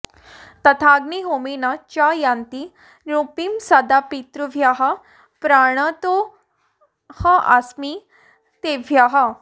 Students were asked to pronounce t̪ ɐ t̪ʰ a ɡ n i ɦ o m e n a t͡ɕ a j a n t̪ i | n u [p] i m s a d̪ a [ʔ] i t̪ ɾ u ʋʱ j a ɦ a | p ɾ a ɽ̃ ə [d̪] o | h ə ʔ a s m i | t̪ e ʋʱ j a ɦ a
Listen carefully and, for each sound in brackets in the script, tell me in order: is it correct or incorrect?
correct, incorrect: p, incorrect: t̪

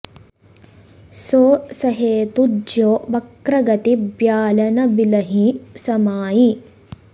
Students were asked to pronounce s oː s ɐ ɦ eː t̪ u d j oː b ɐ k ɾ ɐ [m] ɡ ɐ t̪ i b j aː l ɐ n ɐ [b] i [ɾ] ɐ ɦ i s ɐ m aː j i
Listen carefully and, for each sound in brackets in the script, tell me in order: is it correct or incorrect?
incorrect: none, correct, incorrect: l

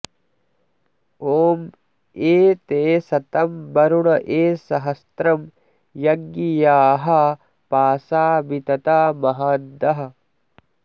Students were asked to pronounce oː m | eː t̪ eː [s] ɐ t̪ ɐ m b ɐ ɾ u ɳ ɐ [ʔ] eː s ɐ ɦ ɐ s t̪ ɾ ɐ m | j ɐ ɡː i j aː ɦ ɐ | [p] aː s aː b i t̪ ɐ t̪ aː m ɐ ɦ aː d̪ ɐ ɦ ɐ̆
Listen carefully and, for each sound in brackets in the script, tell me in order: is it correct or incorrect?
correct, correct, correct

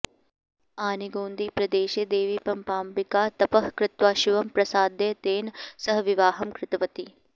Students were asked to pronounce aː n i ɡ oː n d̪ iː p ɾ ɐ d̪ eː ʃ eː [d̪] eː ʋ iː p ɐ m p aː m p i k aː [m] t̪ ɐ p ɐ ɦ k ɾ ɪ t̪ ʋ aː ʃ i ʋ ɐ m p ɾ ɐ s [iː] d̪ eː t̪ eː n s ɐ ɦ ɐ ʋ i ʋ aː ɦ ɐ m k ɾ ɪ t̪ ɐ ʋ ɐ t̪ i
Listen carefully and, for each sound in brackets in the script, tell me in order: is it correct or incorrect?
correct, incorrect: none, incorrect: aː

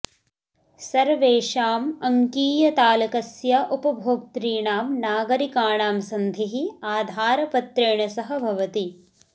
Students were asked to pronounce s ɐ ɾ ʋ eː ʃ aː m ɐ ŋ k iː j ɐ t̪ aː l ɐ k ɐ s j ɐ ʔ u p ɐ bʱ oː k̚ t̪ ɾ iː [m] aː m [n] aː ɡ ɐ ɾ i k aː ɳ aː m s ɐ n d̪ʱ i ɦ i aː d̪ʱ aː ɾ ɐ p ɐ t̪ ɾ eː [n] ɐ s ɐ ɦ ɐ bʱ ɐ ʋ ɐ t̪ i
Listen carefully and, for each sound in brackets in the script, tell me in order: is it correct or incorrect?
incorrect: ɳ, correct, incorrect: ɳ

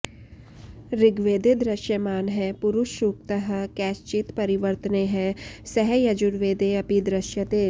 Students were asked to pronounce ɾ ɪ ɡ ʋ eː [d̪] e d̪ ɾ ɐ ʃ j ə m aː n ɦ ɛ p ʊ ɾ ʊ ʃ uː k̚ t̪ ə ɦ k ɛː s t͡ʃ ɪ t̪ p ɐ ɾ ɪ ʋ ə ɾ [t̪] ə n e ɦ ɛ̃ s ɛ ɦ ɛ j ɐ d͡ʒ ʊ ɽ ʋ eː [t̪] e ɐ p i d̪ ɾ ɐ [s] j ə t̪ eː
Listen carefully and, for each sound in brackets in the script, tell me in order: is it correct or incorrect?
correct, correct, incorrect: d̪, incorrect: ʃ

